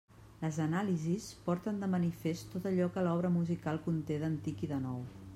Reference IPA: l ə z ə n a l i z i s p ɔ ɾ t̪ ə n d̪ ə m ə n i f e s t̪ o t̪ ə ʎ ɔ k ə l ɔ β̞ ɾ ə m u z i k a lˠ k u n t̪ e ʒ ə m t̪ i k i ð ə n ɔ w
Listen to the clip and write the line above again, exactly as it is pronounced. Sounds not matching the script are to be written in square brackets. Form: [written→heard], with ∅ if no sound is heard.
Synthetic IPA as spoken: l ə z ə n a l i z i s p ɔ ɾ t̪ ə n d̪ ə m ə n i f e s t̪ o t̪ ə ʎ ɔ k ə l ɔ β̞ ɾ ə m u z i k a lˠ k u n t̪ e [ʒ→ð] ə [m→n] t̪ i k i ð ə n ɔ w